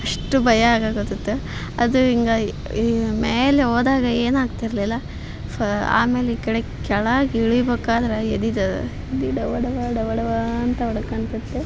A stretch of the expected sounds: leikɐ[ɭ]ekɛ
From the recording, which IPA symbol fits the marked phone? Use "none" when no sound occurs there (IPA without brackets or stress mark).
ɽ